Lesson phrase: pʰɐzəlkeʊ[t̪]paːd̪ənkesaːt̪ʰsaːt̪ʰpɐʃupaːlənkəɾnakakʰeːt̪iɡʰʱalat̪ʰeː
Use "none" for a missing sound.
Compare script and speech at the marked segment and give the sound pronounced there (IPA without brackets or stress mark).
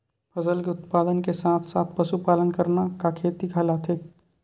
t̪